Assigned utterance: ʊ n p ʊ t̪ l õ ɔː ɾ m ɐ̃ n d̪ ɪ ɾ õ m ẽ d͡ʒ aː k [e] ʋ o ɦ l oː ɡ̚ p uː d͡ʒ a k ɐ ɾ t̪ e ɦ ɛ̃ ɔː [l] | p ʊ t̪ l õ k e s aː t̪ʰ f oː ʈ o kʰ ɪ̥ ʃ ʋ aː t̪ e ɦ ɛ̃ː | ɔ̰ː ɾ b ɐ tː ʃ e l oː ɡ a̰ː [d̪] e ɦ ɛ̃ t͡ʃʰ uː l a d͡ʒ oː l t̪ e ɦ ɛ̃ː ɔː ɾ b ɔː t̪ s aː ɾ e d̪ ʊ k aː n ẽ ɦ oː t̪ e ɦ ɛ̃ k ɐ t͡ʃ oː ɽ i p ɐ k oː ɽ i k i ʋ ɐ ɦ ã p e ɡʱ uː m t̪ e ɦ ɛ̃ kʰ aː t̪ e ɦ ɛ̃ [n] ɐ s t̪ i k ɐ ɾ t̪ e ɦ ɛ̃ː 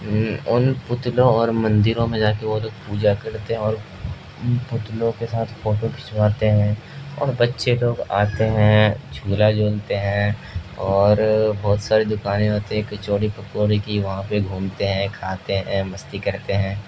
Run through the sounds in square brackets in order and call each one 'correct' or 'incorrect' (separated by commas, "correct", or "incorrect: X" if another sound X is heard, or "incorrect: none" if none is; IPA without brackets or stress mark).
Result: correct, incorrect: ɾ, incorrect: t̪, incorrect: m